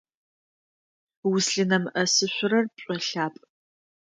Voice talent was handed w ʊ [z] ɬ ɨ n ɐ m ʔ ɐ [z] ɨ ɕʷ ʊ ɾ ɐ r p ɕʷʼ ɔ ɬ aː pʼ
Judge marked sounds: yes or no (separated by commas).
no, no